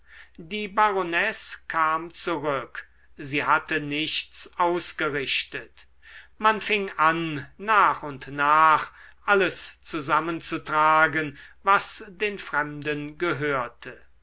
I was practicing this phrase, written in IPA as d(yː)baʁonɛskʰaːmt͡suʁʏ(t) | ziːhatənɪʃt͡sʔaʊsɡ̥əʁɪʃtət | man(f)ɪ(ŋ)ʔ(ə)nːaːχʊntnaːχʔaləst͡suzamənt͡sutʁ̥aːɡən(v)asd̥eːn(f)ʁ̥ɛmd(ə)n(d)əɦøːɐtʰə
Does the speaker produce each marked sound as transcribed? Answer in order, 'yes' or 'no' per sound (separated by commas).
no, no, yes, yes, no, yes, yes, yes, no